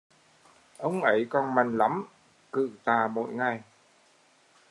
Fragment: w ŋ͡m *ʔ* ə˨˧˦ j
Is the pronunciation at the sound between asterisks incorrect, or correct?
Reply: correct